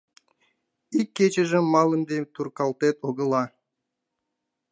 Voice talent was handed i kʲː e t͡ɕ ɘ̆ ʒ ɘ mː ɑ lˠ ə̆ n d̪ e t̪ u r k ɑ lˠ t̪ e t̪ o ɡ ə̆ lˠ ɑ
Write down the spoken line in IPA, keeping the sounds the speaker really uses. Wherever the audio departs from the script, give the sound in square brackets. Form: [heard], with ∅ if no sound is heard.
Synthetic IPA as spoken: i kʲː e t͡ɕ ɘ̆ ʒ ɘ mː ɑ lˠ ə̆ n d̪ e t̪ u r k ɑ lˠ t̪ e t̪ o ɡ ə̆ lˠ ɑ